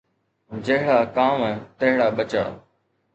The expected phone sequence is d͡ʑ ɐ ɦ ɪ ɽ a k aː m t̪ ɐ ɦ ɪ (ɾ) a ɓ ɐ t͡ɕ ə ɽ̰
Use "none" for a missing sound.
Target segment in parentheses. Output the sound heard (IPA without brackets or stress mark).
ɽ